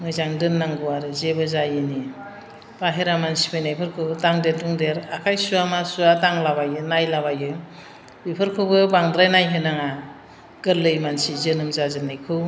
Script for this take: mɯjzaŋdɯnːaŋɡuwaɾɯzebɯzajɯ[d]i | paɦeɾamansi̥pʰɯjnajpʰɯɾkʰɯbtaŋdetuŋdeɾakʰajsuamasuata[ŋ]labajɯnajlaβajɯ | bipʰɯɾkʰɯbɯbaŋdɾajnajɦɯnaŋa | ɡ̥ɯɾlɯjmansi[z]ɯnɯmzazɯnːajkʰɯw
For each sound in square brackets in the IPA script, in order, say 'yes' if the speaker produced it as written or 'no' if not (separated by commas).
no, yes, yes